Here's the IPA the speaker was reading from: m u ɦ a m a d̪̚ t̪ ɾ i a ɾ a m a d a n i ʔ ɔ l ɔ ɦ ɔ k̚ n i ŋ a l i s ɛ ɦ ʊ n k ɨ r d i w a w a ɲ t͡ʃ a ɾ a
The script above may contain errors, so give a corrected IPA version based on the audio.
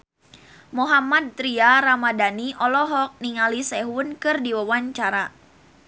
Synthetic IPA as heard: m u ɦ a m a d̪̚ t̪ ɾ i a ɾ a m a d a n i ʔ ɔ l ɔ ɦ ɔ k̚ n i ŋ a l i s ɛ ɦ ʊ n k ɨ r d i w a w a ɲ t͡ʃ a ɾ a